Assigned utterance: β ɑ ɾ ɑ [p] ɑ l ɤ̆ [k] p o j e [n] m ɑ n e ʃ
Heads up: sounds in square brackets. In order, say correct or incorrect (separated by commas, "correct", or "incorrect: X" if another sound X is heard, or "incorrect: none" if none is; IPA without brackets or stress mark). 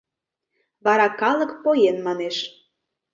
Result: incorrect: k, correct, correct